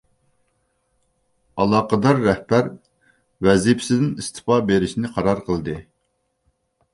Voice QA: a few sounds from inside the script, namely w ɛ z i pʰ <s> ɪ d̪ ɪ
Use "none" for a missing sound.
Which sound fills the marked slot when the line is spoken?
s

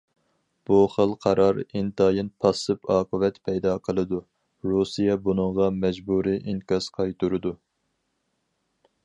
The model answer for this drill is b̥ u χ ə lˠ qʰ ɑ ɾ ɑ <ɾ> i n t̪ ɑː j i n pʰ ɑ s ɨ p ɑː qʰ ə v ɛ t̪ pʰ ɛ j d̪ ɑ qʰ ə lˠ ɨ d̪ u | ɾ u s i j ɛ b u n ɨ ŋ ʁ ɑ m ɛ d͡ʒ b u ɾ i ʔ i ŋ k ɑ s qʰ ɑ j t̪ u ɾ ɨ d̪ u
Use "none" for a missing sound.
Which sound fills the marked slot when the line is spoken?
ɾ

